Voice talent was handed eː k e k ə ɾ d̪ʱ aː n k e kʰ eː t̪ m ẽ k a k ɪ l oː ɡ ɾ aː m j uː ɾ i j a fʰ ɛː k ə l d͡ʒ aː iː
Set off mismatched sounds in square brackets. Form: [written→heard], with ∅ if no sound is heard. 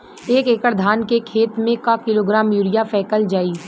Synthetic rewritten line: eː k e k ə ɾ d̪ʱ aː n k e kʰ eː t̪ m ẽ k a k ɪ l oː ɡ ɾ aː m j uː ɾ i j a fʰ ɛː k ə l d͡ʒ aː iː